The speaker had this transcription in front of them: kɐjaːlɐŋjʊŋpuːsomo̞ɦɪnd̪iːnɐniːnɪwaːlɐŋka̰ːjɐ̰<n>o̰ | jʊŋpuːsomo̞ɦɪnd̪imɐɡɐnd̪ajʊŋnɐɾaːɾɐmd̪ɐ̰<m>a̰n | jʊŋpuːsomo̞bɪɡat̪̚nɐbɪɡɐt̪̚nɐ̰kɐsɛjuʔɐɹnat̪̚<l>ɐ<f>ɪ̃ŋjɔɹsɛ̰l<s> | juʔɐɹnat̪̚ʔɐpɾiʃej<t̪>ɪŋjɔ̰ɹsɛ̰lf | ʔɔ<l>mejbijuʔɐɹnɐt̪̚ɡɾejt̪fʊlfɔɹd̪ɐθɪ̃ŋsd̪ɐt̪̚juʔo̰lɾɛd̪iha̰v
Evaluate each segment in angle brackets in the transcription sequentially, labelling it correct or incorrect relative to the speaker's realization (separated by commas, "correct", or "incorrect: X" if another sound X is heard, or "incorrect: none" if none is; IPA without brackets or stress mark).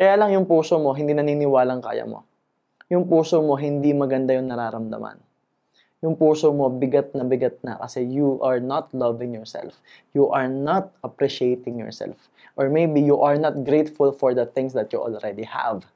incorrect: m, correct, correct, incorrect: v, incorrect: f, correct, incorrect: ɹ